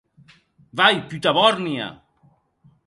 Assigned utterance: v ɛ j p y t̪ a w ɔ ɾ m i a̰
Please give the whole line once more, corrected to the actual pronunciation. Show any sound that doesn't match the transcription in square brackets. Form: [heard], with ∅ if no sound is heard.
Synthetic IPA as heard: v [a] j p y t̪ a [β] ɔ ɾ [n] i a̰